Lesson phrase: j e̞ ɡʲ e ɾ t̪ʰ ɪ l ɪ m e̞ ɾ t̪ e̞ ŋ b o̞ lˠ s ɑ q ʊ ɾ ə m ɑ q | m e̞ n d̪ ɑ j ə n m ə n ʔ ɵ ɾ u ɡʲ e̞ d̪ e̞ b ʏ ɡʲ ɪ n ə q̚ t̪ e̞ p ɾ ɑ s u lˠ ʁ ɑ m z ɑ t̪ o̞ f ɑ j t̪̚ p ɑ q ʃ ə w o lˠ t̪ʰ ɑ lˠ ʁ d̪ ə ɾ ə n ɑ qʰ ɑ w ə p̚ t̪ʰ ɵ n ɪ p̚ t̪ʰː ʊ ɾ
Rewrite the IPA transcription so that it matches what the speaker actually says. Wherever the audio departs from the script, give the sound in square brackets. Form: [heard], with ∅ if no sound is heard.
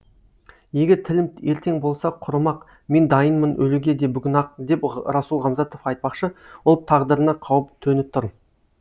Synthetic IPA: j e̞ ɡʲ e ɾ t̪ʰ ɪ l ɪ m e̞ ɾ t̪ e̞ ŋ b o̞ lˠ s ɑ [qʰ] ʊ ɾ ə m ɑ q | m e̞ n d̪ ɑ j ə n m ə n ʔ ɵ [l] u ɡʲ e̞ d̪ e̞ b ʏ ɡʲ ɪ n [ɑ] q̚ [d̪] e̞ p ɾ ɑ s u lˠ ʁ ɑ m z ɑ t̪ o̞ f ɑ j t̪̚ p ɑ q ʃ ə w o lˠ t̪ʰ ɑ [∅] ʁ d̪ ə ɾ ə n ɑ qʰ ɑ w ə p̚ t̪ʰ ɵ n ɪ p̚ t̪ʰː ʊ ɾ